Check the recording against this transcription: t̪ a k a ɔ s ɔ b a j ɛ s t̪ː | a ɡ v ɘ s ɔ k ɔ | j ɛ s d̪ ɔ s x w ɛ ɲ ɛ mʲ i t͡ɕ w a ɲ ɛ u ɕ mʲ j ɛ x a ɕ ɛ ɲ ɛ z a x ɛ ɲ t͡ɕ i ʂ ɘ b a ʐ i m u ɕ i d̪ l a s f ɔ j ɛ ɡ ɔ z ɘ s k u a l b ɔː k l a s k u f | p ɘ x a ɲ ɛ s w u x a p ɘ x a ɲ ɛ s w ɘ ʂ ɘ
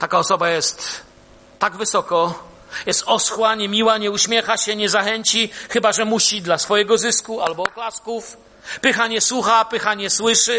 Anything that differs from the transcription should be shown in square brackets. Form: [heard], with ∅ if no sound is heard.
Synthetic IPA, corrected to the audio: t̪ a k a ɔ s ɔ b a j ɛ s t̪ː | a ɡ v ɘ s ɔ k ɔ | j ɛ s [t̪] ɔ s x w [a] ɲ ɛ mʲ i [∅] w a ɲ ɛ u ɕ mʲ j ɛ x a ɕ ɛ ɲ ɛ z a x ɛ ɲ t͡ɕ i [x] ɘ b a ʐ [ɛ] m u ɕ i d̪ l a s f ɔ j ɛ ɡ ɔ z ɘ s k u a l b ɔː k l a s k u f | p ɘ x a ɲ ɛ s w u x a p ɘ x a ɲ ɛ s w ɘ ʂ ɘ